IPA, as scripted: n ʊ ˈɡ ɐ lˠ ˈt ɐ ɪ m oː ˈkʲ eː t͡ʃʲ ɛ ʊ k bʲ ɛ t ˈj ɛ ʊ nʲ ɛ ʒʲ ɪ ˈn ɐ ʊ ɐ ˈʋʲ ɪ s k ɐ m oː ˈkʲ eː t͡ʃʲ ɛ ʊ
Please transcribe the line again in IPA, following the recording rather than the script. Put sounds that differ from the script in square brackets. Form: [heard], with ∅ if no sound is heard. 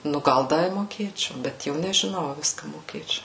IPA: n ʊ ˈɡ ɐ lˠ [ˈd] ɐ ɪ m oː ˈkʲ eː t͡ʃʲ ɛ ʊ [∅] bʲ ɛ t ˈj ɛ ʊ nʲ ɛ ʒʲ ɪ ˈn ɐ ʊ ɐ ˈʋʲ ɪ s k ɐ m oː ˈkʲ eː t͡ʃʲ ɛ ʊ